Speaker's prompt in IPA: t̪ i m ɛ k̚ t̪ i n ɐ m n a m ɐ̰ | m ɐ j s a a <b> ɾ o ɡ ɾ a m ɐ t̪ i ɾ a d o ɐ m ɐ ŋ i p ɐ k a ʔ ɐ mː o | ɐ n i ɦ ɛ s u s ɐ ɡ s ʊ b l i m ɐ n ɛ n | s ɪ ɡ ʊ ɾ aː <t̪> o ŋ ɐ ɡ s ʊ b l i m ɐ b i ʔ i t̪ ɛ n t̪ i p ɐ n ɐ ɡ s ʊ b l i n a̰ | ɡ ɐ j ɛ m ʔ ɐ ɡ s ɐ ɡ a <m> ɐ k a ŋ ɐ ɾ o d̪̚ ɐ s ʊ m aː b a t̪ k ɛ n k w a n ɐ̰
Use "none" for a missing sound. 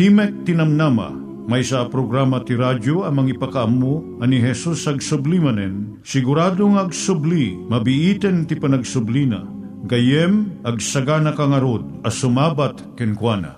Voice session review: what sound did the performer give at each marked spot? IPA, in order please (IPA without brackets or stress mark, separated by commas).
p, d̪, n